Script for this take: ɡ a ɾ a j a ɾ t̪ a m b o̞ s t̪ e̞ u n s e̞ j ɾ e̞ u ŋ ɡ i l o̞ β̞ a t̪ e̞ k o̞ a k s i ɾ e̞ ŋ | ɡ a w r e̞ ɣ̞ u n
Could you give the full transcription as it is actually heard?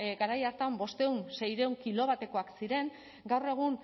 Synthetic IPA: ɡ a ɾ a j a ɾ t̪ a m b o̞ s t̪ e̞ u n s e̞ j ɾ e̞ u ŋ k i l o̞ β̞ a t̪ e̞ k o̞ a k s i ɾ e̞ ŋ | ɡ a w r e̞ ɣ̞ u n